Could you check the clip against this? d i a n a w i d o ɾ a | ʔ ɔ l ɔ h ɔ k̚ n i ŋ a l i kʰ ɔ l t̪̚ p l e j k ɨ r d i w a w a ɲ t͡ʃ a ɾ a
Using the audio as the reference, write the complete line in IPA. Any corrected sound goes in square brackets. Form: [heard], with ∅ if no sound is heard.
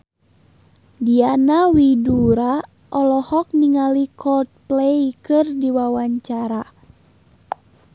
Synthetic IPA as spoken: d i a n a w i d [u] ɾ a | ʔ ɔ l ɔ h ɔ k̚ n i ŋ a l i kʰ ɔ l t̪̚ p l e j k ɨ r d i w a w a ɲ t͡ʃ a ɾ a